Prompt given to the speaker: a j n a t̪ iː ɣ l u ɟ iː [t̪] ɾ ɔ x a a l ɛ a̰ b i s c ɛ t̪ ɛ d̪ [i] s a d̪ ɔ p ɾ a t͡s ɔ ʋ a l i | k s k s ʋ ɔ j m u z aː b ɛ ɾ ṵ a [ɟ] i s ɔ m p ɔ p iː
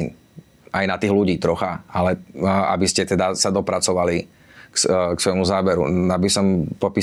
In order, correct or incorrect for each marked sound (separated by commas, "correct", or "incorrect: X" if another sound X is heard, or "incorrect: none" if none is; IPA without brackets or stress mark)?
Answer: correct, incorrect: a, incorrect: b